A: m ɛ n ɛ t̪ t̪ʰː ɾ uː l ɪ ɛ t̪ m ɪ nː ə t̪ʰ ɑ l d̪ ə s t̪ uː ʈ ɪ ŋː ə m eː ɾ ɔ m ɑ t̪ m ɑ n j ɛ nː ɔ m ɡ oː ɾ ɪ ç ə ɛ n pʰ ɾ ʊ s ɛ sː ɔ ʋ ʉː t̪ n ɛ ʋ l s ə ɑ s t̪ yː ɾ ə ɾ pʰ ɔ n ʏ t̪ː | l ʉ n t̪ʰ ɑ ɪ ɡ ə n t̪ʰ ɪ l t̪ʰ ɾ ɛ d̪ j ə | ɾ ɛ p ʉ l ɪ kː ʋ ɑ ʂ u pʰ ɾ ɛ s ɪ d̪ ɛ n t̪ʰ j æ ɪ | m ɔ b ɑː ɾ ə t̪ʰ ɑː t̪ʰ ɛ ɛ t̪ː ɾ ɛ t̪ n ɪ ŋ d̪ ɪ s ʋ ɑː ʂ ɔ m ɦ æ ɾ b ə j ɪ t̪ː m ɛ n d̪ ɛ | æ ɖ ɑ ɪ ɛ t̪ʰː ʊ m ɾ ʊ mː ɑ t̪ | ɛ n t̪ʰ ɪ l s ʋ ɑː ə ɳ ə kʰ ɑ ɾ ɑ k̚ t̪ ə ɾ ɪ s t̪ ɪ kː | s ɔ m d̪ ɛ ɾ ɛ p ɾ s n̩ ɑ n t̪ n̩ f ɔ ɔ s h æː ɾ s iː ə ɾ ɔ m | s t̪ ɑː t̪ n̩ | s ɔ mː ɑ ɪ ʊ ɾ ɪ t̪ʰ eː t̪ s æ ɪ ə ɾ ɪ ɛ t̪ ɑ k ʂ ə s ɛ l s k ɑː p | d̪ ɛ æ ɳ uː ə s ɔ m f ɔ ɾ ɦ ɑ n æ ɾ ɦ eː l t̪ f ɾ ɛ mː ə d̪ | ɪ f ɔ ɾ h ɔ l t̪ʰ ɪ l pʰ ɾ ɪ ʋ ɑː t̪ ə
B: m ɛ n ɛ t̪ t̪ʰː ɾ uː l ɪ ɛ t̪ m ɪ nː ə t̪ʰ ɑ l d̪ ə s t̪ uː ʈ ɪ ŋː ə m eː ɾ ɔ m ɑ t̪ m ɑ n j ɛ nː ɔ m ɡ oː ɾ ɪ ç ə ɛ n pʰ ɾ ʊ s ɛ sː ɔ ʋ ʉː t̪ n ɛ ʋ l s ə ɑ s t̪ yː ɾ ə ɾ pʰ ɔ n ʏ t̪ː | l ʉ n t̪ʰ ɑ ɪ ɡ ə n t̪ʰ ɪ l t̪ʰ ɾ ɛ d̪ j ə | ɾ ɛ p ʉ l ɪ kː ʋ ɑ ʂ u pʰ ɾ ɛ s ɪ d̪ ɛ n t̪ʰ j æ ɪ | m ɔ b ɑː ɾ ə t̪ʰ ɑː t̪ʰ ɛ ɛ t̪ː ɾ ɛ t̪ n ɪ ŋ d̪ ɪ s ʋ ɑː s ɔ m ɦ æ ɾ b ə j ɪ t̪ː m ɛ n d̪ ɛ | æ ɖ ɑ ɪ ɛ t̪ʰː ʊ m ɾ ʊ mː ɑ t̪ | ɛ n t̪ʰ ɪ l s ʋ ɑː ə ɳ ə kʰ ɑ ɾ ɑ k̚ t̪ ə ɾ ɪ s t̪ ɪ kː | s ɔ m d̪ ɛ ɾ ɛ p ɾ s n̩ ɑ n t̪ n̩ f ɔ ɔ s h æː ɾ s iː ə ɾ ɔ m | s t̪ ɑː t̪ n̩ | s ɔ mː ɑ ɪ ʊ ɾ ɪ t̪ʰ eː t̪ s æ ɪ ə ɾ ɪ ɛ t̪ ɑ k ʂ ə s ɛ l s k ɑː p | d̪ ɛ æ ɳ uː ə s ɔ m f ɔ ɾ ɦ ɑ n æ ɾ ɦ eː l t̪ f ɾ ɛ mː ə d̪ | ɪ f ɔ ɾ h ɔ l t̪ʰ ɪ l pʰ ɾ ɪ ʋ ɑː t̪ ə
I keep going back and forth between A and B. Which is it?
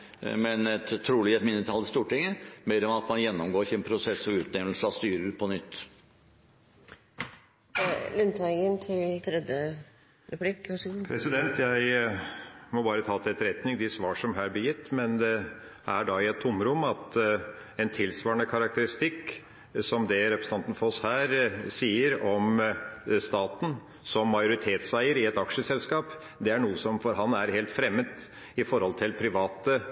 A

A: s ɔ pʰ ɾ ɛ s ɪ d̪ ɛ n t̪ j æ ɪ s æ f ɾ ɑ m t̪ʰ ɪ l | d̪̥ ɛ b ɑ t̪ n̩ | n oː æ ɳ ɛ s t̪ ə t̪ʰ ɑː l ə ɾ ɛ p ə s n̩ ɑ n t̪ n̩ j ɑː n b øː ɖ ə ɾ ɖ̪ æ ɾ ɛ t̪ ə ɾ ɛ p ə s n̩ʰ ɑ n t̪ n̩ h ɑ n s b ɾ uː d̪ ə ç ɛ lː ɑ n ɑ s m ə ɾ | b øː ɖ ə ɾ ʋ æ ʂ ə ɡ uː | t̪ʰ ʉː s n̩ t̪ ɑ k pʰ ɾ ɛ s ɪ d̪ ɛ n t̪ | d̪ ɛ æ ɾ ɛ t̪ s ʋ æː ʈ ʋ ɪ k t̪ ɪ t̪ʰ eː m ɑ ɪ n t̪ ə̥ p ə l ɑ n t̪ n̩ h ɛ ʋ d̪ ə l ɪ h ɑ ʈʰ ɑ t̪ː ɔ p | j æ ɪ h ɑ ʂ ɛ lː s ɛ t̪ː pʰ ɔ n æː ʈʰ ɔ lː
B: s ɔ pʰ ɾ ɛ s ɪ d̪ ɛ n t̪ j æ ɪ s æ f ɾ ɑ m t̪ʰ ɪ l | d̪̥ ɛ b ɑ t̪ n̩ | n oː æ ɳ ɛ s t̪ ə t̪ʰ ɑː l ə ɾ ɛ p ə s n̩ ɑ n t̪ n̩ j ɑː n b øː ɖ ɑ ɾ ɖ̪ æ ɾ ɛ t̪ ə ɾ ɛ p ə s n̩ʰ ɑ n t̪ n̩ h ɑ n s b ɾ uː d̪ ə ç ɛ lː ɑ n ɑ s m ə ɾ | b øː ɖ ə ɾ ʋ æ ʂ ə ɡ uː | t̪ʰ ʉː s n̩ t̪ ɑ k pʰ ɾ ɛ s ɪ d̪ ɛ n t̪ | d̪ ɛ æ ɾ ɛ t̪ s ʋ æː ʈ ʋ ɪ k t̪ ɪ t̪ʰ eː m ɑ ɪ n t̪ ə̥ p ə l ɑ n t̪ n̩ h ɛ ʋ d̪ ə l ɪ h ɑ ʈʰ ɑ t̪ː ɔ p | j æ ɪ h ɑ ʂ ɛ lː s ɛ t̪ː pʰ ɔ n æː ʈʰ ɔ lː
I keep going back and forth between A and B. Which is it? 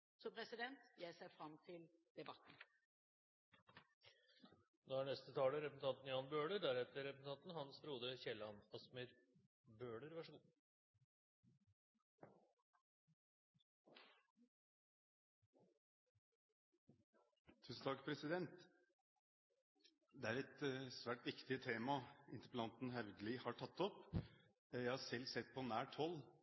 A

